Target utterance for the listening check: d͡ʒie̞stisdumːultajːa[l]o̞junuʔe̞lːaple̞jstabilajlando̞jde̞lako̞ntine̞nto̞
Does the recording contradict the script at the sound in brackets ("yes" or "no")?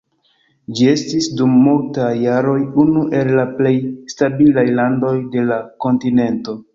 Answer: yes